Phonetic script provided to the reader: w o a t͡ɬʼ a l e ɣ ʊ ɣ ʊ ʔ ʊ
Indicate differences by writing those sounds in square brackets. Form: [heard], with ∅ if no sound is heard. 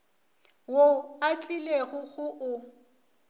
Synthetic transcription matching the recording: w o a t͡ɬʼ [i] l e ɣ ʊ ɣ ʊ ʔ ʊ

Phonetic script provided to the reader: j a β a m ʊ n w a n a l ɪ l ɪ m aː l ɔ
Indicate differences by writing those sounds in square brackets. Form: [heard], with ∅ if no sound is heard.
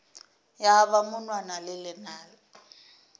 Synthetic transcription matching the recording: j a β a m ʊ n w a n a l ɪ l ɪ [n] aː l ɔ

